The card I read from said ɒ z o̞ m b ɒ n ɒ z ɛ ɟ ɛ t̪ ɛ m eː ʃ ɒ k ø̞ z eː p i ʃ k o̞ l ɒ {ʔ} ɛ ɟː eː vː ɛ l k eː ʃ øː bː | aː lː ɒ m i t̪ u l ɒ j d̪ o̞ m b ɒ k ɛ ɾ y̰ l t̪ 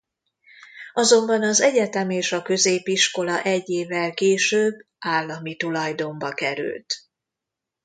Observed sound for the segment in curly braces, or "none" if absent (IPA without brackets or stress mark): ʔ